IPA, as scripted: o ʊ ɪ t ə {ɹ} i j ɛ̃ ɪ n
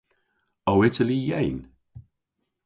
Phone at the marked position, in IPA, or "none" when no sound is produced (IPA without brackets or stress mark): l